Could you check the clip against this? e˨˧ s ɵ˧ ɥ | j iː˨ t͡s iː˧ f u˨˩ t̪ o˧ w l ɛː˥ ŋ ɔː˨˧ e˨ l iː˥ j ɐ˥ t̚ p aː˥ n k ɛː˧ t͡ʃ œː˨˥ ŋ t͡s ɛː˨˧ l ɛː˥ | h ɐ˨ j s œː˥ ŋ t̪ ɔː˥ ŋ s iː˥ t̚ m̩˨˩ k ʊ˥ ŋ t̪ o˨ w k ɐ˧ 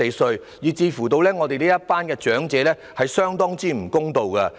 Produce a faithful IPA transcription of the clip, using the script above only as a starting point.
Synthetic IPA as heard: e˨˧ s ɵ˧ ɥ | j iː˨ t͡s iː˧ f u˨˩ t̪ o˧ w l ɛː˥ ŋ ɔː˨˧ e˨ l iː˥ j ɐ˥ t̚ p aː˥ n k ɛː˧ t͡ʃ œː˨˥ ŋ t͡s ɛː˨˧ l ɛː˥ | h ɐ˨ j s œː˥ ŋ t̪ ɔː˥ ŋ t͡s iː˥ m̩˨˩ k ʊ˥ ŋ t̪ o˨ w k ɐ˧